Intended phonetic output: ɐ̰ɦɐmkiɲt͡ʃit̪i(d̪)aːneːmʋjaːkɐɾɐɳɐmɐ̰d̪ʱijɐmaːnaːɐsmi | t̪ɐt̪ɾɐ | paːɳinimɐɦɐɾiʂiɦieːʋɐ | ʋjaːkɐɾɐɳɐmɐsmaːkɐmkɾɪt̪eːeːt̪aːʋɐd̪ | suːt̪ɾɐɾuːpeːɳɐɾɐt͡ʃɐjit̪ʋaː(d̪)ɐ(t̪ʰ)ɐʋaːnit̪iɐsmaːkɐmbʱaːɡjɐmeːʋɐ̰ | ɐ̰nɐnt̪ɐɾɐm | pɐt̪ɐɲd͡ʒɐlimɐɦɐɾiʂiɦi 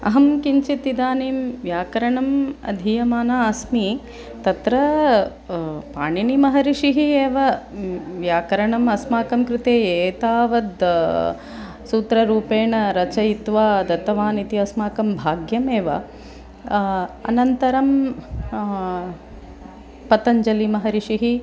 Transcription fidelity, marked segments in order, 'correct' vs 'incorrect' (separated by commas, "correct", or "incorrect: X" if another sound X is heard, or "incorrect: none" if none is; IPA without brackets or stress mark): correct, correct, incorrect: t̪